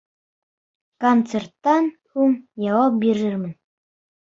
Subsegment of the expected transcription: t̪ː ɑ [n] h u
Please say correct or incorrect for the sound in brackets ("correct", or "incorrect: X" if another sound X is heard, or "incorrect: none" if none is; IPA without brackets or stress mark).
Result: correct